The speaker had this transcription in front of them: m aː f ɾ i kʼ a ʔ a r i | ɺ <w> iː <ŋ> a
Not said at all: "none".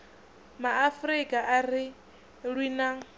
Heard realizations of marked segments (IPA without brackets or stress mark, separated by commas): w, n